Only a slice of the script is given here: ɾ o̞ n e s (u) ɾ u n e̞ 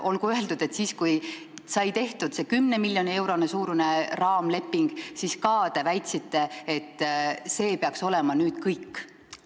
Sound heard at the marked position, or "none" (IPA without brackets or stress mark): uː